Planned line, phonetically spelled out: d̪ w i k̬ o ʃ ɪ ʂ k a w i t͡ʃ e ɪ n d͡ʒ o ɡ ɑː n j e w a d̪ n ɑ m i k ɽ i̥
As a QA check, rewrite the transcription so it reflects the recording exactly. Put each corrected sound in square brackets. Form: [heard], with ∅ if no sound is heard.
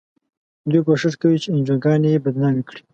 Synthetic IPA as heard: d̪ w i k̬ o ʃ ɪ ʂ k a w i t͡ʃ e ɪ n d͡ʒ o ɡ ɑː n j e [b] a d̪ n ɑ m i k ɽ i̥